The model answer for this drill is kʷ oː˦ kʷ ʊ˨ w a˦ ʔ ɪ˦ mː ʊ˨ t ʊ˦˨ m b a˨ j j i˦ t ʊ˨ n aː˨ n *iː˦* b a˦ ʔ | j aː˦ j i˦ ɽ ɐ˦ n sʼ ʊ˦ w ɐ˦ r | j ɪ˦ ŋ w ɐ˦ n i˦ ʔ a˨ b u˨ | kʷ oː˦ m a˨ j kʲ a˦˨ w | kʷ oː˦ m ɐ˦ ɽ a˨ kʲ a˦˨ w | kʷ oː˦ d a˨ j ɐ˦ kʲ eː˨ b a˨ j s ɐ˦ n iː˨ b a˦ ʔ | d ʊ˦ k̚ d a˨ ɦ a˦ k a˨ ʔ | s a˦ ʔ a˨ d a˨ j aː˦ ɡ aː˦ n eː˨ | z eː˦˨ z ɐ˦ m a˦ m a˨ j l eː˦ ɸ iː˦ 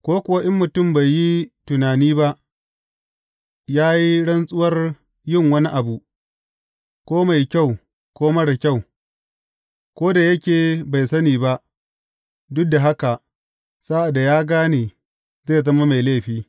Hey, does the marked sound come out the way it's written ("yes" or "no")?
yes